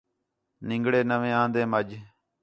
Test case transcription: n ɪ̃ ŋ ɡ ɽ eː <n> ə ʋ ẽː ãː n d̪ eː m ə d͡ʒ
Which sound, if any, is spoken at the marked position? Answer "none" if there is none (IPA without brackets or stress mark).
n